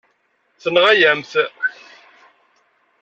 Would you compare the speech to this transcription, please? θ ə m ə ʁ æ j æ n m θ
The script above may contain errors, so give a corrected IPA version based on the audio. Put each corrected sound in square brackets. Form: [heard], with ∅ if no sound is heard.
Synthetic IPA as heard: θ ə [n] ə ʁ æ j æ [∅] m θ